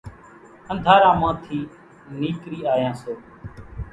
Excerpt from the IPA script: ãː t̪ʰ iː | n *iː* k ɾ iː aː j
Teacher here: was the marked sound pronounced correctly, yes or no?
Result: yes